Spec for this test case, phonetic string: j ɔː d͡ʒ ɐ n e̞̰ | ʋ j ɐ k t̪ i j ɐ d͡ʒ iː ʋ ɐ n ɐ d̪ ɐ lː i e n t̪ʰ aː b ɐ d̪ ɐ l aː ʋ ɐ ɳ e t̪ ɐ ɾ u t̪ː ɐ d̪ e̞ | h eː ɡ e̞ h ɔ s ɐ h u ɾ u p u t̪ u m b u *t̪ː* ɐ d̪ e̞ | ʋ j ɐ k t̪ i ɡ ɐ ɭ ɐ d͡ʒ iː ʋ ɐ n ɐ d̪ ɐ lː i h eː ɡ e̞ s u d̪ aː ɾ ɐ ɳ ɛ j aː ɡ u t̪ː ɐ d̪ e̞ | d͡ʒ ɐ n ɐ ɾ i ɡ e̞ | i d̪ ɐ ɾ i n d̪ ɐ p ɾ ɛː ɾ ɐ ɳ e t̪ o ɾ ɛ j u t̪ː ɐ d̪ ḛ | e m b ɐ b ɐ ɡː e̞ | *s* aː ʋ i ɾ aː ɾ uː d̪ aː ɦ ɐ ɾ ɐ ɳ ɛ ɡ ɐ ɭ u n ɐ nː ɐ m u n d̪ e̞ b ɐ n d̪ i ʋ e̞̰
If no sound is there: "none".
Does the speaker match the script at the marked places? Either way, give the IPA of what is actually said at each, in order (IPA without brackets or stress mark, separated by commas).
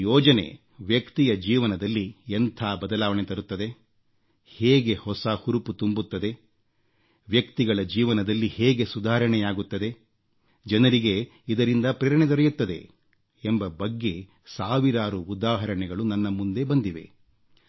t̪ː, s